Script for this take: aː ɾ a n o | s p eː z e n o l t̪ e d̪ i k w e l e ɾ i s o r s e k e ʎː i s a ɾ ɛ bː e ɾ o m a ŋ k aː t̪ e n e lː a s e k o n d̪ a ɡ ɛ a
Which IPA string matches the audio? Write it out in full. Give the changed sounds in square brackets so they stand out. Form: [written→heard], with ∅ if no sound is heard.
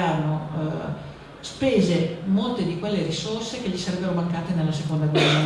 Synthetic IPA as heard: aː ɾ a n o | s p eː z e [n→m] o l t̪ e d̪ i k w e [l→lː] e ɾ i s o r s e k e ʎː i s a ɾ ɛ bː e ɾ o m a ŋ k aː t̪ e n e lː a s e k o n d̪ a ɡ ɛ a

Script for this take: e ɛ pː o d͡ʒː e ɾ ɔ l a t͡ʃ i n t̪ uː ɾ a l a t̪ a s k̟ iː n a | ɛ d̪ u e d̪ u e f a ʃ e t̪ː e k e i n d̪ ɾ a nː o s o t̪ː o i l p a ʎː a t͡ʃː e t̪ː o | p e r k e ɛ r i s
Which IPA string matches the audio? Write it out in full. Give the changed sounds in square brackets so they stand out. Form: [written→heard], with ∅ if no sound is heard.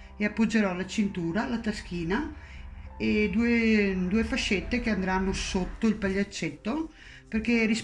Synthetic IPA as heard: e [ɛ→a] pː o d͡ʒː e ɾ ɔ l a t͡ʃ i n t̪ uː ɾ a l a t̪ a s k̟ iː n a | [ɛ→e] d̪ u e d̪ u e f a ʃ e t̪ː e k e [i→a] n d̪ ɾ a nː o s o t̪ː o i l p a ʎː a t͡ʃː e t̪ː o | p e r k e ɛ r i s

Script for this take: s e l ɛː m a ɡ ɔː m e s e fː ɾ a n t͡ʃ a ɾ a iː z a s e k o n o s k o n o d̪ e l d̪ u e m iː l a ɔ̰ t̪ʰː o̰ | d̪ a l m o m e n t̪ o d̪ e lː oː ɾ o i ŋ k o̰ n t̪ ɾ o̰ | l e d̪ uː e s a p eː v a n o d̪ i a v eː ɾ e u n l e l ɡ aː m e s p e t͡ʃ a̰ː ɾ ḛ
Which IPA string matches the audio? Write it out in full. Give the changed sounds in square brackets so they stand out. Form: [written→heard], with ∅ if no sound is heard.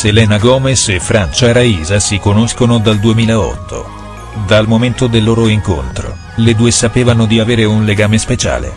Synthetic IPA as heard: s e l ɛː [m→n] a ɡ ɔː m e s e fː ɾ a n t͡ʃ a ɾ a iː z a s [e→i] k o n o s k o n o d̪ [e→a] l d̪ u e m iː l a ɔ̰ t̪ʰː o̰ | d̪ a l m o m e n t̪ o d̪ e lː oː ɾ o i ŋ k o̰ n t̪ ɾ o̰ | l e d̪ uː e s a p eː v a n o d̪ i a v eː ɾ e u n l e [l→∅] ɡ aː m e s p e t͡ʃ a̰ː [ɾ→l] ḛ

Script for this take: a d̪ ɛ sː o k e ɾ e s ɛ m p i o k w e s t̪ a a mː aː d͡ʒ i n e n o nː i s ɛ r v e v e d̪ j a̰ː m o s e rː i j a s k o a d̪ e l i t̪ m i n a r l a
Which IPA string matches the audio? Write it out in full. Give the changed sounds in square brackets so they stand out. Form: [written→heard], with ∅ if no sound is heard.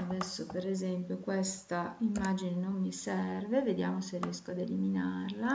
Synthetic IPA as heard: a d̪ ɛ sː o [k→p] e ɾ e [s→z] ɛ m p [i→j] o k w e s t̪ a [a→i] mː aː d͡ʒ i n e n o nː i s ɛ r v e v e d̪ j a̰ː m o s e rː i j [a→ɛ] s k o a d̪ e l i [t̪→∅] m i n a r l a

